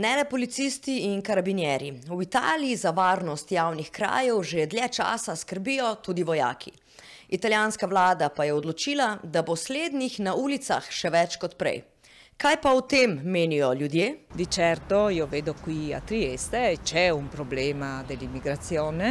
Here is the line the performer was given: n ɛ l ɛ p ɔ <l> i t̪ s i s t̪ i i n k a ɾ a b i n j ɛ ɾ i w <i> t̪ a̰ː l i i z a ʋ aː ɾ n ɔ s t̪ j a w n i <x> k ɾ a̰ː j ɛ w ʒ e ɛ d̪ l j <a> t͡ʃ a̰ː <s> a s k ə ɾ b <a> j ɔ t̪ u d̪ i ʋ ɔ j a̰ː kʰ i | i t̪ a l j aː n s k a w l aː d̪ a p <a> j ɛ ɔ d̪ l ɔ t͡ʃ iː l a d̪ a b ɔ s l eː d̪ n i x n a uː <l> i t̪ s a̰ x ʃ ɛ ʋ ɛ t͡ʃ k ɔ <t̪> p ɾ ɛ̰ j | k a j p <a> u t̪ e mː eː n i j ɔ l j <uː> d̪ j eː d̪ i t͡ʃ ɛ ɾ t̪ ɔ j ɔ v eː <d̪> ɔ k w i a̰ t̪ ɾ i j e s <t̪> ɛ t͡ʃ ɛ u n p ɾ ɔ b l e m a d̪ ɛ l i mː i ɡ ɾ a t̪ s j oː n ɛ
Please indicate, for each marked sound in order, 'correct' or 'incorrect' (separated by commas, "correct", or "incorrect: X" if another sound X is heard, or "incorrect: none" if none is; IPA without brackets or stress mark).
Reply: correct, correct, correct, incorrect: ɛ, correct, incorrect: i, correct, correct, correct, correct, incorrect: u, correct, correct